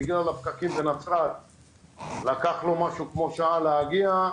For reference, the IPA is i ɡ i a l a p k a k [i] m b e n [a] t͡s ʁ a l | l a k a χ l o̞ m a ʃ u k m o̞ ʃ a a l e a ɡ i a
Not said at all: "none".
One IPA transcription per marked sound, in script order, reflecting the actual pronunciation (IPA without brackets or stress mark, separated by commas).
i, a